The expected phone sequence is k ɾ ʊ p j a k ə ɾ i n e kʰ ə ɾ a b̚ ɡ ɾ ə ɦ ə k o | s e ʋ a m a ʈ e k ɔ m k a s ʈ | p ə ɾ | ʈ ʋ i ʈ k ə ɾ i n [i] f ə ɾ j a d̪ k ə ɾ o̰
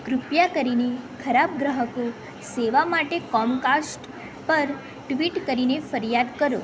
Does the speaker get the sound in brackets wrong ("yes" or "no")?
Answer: yes